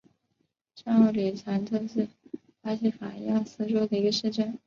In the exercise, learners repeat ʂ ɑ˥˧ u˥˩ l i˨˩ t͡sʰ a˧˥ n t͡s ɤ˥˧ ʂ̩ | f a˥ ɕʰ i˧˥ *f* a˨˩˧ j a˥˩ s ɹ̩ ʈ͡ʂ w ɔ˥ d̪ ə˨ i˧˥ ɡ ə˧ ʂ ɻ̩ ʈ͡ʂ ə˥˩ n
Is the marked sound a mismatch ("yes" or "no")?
no